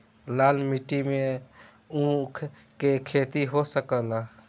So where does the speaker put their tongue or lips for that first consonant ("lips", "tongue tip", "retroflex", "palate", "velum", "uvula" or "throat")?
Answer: tongue tip